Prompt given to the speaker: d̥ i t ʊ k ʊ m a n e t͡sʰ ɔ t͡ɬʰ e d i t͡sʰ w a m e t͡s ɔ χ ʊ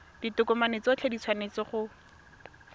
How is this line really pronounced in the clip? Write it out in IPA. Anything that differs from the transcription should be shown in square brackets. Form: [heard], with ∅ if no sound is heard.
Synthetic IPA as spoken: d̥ i t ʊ k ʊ m a n e [t͡s] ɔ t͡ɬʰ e d i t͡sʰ w a [n] e t͡s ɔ χ ʊ